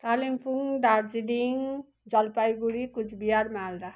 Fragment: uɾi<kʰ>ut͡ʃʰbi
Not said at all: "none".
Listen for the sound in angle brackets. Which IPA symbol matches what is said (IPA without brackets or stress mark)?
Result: k